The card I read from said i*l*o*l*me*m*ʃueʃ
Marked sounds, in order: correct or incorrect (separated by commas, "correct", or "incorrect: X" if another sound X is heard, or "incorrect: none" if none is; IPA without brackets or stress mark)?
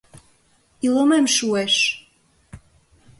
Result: correct, incorrect: none, correct